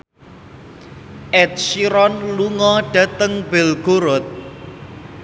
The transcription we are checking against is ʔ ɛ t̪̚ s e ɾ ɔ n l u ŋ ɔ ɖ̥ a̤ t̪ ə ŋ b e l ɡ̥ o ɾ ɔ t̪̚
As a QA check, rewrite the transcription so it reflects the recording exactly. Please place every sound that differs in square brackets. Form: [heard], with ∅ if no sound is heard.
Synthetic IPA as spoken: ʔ ɛ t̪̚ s [i] ɾ ɔ n l u ŋ ɔ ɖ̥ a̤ t̪ ə ŋ b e l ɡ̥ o ɾ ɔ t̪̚